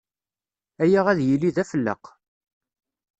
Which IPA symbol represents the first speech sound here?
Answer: æ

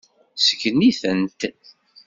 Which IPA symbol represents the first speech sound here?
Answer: s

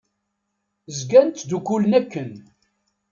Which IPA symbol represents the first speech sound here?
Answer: z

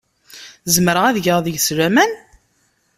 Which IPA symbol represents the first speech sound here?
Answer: z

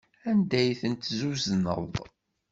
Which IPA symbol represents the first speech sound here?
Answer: æ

